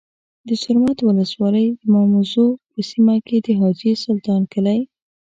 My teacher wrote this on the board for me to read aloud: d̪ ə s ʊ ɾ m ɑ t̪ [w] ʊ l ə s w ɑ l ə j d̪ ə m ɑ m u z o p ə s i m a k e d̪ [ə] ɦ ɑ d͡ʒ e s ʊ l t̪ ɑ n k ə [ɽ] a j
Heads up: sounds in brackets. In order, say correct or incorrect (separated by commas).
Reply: correct, correct, incorrect